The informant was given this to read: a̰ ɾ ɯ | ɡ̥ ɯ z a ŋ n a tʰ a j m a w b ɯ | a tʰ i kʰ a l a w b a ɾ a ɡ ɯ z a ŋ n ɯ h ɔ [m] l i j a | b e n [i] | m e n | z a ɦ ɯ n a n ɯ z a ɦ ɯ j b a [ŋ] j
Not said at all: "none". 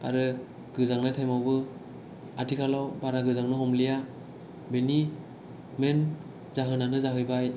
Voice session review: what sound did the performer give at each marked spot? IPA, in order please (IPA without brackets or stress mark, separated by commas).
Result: m, i, none